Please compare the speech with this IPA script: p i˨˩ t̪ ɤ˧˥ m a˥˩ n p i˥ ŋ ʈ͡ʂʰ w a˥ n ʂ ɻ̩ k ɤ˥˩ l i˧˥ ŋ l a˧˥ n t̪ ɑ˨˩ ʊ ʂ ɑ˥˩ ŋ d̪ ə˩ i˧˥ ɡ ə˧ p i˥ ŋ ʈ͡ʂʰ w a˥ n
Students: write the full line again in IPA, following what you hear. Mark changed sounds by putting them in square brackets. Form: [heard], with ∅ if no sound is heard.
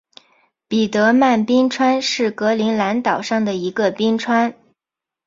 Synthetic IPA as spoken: p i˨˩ t̪ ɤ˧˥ m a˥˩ n p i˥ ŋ ʈ͡ʂʰ w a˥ n ʂ ɻ̩ k [ɤ˧˥] l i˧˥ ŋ l a˧˥ n t̪ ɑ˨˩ ʊ ʂ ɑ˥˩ ŋ d̪ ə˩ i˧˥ ɡ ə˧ p i˥ ŋ ʈ͡ʂʰ w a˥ n